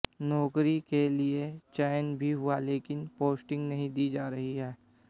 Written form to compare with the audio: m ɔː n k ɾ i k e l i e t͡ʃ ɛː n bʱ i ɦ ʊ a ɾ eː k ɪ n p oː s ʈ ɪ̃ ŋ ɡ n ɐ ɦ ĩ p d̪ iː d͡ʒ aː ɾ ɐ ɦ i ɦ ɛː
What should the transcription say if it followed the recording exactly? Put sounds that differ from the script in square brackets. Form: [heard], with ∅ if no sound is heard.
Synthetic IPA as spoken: [n] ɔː [∅] k ɾ i k e l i e t͡ʃ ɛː n bʱ i ɦ ʊ a [l] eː k ɪ n p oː s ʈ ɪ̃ ŋ ɡ n ɐ ɦ ĩ [∅] d̪ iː d͡ʒ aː ɾ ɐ ɦ i ɦ ɛː